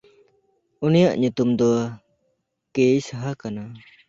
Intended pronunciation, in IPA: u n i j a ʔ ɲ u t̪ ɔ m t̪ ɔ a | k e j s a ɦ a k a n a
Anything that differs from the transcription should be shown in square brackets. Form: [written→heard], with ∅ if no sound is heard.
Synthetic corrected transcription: u n i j a ʔ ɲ u t̪ [ɔ→u] m [t̪→d̪] ɔ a | k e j s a ɦ a k a n a